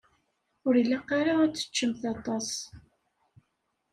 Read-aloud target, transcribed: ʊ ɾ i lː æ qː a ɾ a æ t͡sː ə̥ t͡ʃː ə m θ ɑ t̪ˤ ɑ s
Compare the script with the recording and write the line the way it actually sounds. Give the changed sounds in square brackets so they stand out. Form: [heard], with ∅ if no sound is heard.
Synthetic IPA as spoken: ʊ ɾ i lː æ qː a ɾ a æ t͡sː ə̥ t͡ʃː ə m θ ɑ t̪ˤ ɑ s